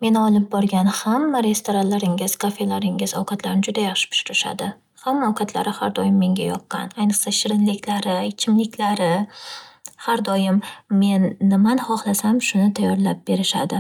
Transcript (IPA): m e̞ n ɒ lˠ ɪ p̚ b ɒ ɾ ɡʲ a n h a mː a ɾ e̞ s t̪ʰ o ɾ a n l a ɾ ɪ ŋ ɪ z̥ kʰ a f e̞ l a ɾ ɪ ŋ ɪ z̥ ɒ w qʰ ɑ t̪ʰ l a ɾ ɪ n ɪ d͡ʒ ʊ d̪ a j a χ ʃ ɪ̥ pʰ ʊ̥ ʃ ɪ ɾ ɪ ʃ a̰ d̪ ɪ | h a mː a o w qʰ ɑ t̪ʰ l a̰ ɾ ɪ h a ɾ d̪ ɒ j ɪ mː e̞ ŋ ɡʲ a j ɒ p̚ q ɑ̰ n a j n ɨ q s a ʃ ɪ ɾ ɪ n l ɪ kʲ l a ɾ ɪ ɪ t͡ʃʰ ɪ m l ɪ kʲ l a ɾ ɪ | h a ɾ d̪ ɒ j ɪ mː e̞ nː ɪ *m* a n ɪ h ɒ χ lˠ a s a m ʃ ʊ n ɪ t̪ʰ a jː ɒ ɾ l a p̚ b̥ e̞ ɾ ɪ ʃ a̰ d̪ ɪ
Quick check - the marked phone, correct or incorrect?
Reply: correct